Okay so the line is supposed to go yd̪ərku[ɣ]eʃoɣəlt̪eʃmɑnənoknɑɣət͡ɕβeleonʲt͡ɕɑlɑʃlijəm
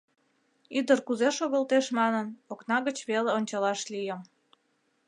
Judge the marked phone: incorrect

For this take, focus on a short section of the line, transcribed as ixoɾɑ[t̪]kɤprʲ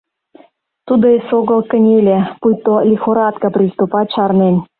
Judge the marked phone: correct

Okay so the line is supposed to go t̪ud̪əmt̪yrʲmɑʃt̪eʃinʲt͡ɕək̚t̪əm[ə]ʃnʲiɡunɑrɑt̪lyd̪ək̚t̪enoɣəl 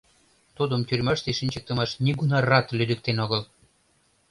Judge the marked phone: incorrect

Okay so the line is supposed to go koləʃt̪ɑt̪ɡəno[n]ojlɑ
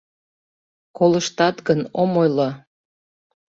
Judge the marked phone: incorrect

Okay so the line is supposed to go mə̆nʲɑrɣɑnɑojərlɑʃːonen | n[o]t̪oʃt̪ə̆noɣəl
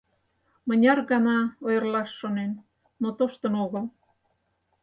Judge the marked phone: correct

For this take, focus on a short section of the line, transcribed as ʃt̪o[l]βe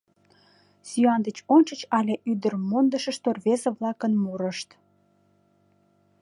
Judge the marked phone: incorrect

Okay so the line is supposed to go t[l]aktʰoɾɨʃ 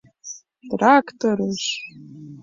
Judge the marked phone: incorrect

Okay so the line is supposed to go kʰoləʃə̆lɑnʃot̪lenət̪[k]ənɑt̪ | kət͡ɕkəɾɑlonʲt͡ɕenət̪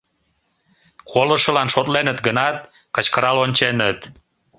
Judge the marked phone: incorrect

